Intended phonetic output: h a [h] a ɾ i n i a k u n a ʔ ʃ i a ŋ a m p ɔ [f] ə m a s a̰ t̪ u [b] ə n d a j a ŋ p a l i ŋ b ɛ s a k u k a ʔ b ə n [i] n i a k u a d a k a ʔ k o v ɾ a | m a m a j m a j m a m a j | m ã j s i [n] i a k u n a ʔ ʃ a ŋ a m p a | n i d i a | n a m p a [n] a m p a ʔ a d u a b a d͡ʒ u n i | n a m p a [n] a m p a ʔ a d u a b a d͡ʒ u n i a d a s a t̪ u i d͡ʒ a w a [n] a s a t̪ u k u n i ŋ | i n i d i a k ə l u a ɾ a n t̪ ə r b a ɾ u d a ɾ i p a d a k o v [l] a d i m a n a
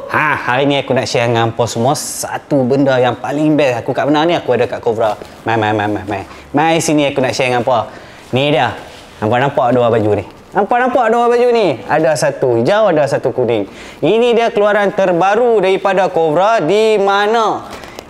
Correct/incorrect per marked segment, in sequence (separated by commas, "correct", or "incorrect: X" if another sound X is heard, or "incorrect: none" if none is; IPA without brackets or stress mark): correct, incorrect: s, correct, incorrect: a, correct, correct, correct, incorrect: d, incorrect: ɾ